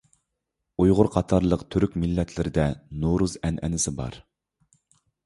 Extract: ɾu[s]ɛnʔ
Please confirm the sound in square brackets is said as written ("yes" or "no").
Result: no